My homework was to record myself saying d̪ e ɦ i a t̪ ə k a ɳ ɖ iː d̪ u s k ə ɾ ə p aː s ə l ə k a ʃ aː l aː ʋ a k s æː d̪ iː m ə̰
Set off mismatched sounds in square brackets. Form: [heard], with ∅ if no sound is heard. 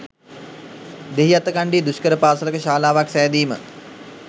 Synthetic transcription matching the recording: d̪ e ɦ i a t̪ ə k a ɳ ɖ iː d̪ u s k ə ɾ ə p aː s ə l ə k [ə] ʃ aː l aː ʋ a k s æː d̪ iː m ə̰